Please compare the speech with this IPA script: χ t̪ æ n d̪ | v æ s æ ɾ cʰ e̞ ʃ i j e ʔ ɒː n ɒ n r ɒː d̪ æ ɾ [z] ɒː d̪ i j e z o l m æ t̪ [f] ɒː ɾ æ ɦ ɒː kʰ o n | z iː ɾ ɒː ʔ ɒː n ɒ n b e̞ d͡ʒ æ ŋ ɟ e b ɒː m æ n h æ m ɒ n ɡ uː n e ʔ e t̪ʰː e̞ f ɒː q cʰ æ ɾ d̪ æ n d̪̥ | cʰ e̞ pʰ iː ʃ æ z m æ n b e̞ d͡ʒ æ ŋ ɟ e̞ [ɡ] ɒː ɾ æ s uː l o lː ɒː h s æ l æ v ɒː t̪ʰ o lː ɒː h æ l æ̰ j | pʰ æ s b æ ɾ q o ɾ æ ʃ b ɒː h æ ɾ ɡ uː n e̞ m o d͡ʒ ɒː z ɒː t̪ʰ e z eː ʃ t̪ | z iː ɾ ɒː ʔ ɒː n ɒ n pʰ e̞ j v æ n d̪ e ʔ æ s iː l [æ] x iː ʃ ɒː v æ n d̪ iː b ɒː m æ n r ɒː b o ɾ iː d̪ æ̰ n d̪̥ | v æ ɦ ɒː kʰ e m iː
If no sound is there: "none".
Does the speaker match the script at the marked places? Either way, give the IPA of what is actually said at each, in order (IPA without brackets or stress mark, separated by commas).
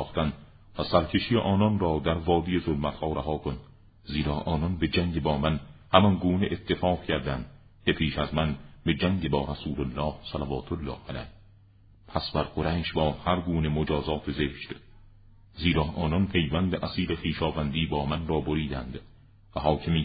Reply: v, h, b, e